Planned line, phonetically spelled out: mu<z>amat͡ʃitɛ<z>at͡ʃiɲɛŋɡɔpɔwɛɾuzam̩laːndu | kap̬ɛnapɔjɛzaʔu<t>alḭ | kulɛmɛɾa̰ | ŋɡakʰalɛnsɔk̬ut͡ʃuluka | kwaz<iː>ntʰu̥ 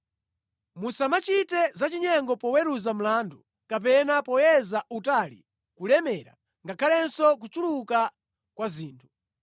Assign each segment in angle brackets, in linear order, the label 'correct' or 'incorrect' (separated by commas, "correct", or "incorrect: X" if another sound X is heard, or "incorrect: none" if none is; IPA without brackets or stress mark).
incorrect: s, correct, correct, correct